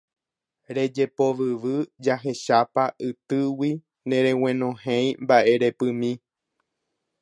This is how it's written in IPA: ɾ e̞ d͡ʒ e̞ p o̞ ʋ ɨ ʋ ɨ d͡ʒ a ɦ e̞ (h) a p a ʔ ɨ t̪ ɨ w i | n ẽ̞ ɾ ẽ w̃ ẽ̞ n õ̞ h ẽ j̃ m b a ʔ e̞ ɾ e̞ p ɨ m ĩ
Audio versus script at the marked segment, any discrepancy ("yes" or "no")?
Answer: yes